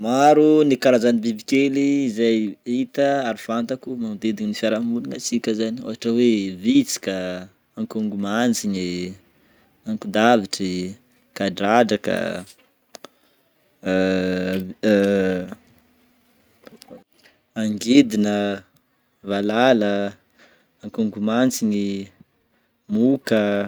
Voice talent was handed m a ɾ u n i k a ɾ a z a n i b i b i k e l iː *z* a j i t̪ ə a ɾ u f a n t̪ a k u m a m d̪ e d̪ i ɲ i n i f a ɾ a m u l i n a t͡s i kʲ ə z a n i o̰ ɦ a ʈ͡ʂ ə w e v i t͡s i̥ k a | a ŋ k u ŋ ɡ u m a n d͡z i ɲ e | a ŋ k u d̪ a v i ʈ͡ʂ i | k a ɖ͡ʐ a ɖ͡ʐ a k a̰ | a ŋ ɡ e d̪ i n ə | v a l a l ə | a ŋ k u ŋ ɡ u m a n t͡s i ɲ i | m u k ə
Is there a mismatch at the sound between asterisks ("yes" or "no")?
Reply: no